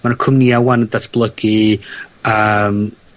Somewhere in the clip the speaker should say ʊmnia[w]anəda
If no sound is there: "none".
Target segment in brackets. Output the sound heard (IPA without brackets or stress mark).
w